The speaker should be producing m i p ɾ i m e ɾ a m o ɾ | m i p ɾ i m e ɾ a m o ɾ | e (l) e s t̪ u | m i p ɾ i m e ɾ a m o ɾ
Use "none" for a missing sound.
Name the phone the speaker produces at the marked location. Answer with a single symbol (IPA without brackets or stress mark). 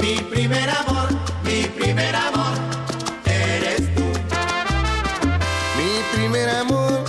ɾ